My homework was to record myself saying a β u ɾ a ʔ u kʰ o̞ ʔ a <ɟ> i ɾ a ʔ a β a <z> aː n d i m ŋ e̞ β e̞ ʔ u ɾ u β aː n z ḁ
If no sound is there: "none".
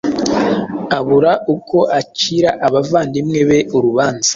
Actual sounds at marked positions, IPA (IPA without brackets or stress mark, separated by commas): c, v